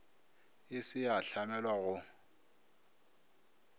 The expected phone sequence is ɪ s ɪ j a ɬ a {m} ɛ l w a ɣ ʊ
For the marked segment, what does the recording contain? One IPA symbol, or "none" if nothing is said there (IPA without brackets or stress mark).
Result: m